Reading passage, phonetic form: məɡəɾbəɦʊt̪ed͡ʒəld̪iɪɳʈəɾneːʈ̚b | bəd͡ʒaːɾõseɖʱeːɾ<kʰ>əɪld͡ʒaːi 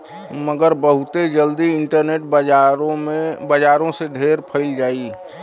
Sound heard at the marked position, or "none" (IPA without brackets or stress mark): pʰ